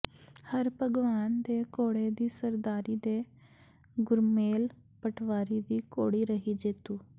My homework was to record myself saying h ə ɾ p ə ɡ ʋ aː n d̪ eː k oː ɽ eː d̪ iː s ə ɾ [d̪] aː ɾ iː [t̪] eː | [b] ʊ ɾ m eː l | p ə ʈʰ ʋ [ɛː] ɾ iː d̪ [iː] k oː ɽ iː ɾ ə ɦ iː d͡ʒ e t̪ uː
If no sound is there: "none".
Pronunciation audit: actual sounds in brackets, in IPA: d̪, d̪, ɡ, aː, iː

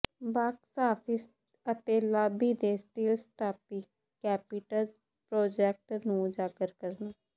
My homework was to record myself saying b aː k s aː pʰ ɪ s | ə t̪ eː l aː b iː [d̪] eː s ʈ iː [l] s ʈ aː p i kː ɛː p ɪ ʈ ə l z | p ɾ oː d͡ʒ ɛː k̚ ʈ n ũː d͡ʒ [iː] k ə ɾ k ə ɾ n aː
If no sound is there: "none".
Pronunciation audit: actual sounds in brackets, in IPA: d̪, l, aː

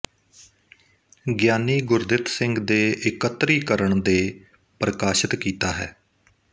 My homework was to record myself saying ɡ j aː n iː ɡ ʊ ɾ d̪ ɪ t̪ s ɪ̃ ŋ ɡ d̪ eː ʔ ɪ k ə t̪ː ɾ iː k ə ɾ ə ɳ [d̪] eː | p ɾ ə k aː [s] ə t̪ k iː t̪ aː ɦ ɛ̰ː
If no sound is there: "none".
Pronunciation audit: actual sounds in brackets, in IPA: d̪, ʃ

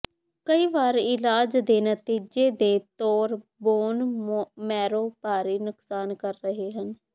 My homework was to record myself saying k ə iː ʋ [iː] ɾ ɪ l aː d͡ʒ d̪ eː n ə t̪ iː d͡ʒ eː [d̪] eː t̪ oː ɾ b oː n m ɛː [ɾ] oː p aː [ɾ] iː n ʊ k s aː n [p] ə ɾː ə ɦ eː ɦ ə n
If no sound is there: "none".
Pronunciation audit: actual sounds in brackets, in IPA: aː, d̪, ɾ, ɾ, k

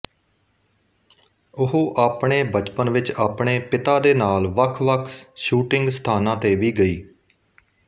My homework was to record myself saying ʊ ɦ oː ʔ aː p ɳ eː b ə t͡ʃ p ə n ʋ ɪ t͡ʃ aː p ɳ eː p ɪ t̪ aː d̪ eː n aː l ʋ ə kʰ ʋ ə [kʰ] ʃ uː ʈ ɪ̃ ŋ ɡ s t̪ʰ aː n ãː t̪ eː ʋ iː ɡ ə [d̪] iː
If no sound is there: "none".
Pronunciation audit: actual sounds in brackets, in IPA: kʰ, none

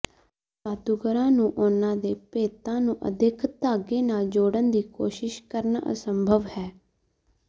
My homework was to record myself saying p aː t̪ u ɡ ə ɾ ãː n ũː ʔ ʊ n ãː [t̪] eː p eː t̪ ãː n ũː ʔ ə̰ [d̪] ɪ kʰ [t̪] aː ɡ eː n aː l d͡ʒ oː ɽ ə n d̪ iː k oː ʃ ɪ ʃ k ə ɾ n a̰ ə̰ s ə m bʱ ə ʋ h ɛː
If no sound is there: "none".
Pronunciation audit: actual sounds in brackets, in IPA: d̪, d̪, t̪

